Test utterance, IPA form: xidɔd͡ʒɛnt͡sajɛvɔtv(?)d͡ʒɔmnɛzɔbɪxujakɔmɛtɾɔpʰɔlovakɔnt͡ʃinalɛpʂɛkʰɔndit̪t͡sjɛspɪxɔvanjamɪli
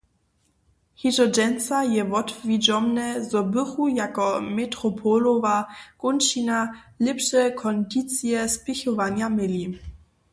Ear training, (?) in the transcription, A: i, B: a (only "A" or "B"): A